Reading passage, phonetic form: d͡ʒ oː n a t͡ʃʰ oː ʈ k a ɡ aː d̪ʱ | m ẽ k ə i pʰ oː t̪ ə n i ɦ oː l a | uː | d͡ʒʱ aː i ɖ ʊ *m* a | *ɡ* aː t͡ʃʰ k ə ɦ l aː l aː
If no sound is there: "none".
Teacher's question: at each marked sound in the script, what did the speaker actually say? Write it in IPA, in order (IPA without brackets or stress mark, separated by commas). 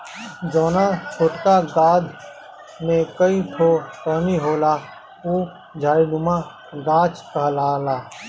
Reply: m, ɡ